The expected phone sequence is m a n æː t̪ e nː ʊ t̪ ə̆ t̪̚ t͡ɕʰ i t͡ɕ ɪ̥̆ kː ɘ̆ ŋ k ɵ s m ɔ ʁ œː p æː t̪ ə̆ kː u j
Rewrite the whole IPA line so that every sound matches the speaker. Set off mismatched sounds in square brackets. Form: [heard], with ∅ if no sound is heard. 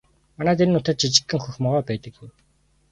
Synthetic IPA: m a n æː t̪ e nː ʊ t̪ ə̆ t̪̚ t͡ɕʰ i t͡ɕ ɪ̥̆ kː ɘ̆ ŋ [x] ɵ [x] m ɔ ʁ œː p æː t̪ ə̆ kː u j